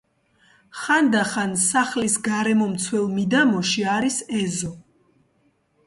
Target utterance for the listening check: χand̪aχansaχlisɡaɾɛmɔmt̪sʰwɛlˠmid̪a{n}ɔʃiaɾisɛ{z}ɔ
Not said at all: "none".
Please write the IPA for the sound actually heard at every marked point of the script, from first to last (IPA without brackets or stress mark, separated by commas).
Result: m, z